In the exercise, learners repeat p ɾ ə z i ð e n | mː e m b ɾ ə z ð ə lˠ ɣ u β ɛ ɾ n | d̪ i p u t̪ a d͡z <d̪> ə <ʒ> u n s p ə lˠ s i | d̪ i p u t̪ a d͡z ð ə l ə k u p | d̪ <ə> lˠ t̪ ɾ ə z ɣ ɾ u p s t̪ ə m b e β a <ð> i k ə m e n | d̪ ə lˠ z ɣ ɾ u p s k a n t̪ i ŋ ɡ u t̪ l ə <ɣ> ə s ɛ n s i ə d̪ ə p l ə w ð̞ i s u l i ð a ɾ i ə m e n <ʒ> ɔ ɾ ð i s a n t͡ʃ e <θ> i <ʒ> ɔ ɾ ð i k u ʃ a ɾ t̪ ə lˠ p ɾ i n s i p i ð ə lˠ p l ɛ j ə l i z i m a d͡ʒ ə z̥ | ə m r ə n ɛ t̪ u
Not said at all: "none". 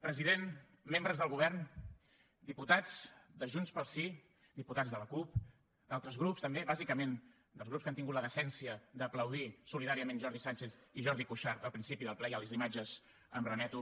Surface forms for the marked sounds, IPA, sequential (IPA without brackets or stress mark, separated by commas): d̪, ʒ, a, z, ð, ʒ, θ, ʒ